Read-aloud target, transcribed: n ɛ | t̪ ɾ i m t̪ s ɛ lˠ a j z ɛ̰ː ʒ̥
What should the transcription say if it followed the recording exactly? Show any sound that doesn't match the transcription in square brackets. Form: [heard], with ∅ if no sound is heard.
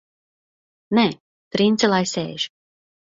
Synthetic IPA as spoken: n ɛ | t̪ ɾ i [n] t̪ s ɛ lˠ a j [s] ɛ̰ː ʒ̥